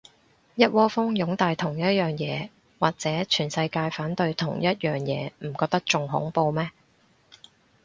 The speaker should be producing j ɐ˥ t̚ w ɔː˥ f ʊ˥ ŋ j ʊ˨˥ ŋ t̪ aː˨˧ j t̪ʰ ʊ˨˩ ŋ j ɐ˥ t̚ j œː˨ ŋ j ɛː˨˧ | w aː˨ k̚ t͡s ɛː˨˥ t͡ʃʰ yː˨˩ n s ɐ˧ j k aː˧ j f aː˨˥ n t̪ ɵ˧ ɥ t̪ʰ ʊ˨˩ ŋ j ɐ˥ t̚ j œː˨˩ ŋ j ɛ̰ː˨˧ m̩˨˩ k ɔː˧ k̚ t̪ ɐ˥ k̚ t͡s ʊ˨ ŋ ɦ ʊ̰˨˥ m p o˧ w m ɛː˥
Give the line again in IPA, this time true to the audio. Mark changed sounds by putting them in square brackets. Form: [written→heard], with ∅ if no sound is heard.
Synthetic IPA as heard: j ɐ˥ t̚ w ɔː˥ f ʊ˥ ŋ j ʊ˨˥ ŋ t̪ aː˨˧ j t̪ʰ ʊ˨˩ ŋ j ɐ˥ t̚ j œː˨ ŋ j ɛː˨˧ | w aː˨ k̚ t͡s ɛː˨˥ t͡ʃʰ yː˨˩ n s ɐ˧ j k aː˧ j f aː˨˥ n t̪ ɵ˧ ɥ t̪ʰ ʊ˨˩ ŋ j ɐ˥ t̚ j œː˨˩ ŋ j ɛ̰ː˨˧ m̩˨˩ k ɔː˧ k̚ t̪ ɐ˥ k̚ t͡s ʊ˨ ŋ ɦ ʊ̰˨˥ [m→ŋ] p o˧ w m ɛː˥